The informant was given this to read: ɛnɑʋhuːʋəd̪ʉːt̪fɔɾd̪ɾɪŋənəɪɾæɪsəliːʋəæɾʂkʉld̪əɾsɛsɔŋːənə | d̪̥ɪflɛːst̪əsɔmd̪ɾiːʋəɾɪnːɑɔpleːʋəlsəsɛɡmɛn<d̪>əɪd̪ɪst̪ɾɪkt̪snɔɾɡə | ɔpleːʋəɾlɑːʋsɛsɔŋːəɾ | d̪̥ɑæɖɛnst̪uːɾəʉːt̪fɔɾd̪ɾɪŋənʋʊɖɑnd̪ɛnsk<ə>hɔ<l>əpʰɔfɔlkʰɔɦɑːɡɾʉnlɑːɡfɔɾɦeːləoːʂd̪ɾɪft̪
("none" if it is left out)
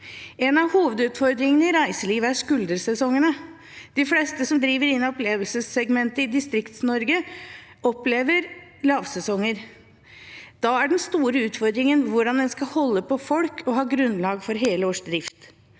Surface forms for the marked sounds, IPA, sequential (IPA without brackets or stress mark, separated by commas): t̪, ɑ, lː